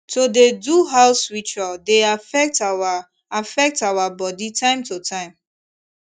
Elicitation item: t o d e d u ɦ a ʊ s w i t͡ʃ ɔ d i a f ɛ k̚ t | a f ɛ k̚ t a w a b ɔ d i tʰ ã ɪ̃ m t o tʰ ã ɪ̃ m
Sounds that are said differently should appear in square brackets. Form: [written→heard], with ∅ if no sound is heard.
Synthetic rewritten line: t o d e d u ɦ a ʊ s w i t͡ʃ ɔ d [i→e] a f ɛ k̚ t | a f ɛ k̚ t a w a b ɔ d i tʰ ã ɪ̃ m t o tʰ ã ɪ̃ m